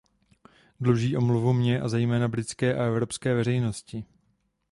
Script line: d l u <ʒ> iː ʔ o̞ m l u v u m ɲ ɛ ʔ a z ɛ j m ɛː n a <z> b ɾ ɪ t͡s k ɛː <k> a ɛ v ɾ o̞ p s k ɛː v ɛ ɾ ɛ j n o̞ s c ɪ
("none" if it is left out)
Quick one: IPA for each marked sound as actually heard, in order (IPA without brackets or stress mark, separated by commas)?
ʒ, none, ʔ